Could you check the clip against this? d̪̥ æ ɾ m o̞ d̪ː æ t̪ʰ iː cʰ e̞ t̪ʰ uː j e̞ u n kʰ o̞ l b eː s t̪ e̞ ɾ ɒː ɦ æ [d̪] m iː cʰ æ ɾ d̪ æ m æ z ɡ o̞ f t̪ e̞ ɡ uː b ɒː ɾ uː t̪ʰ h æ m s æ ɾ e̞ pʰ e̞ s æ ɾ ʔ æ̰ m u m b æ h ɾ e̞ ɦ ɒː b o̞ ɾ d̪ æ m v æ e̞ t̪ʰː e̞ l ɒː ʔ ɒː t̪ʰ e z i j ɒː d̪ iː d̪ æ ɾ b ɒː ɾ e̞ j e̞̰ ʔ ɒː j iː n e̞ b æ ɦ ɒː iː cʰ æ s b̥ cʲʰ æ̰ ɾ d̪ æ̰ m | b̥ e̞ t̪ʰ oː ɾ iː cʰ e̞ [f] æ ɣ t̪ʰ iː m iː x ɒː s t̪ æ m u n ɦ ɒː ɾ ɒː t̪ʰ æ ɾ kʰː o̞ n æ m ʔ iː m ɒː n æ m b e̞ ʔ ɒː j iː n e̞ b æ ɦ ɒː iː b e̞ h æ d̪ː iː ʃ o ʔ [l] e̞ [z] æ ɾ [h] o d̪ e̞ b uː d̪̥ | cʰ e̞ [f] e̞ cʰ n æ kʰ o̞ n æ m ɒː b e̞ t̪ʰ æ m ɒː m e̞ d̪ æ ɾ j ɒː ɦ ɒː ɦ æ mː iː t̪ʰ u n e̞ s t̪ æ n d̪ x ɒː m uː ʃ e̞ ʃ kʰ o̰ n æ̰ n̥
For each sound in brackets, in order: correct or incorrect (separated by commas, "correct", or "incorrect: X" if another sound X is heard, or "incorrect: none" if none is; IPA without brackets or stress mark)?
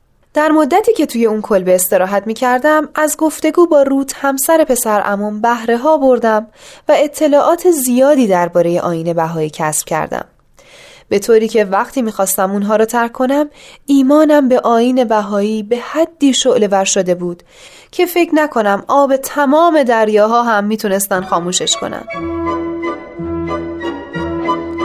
incorrect: t̪, incorrect: v, correct, incorrect: v, incorrect: ʃ, correct